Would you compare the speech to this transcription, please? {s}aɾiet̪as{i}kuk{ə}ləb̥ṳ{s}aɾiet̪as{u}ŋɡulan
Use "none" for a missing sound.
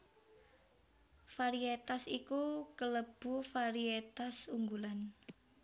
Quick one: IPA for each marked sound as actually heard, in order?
f, i, ə, f, u

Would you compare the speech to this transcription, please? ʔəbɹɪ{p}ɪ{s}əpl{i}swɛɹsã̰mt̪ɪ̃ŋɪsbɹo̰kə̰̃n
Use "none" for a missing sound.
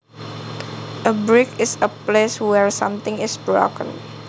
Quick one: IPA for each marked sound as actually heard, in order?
k, s, e

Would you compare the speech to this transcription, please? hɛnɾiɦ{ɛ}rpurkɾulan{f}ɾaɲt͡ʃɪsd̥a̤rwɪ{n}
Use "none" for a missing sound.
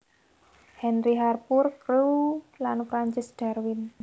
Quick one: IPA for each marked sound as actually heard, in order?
a, f, n

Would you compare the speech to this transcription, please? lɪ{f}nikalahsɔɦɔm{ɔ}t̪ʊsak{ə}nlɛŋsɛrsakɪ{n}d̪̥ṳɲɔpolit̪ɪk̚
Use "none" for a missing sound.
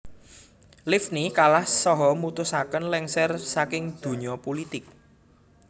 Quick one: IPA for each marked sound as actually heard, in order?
f, u, ə, ŋ

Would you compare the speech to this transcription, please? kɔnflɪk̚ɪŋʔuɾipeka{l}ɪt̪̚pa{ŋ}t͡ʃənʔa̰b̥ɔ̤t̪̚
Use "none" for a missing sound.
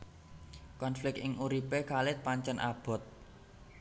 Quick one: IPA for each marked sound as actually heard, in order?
l, ɲ

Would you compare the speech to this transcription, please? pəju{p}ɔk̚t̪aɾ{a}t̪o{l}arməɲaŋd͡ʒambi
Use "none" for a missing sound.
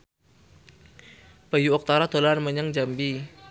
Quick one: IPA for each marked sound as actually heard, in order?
none, a, l

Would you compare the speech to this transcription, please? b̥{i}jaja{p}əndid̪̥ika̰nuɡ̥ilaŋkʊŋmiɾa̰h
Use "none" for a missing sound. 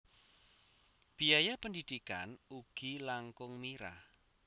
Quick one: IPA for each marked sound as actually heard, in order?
i, p

